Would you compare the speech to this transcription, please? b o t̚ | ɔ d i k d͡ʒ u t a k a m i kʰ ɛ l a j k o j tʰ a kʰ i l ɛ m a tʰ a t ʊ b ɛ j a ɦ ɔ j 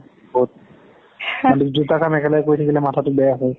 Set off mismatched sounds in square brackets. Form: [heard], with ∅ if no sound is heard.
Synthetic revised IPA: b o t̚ | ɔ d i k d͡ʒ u t a k a m [ɛ] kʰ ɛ l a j k o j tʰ a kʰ i l ɛ m a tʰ a t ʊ b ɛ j a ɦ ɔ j